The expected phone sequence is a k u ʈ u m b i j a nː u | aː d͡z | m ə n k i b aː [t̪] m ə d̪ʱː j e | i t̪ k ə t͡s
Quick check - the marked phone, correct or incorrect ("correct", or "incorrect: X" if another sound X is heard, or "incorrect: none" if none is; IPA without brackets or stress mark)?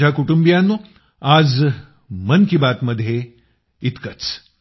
correct